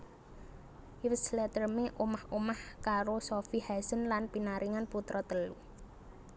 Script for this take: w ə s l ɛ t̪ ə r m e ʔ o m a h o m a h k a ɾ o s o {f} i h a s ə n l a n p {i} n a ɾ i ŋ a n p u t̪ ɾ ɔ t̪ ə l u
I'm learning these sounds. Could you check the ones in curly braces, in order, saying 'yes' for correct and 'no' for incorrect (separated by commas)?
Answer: yes, yes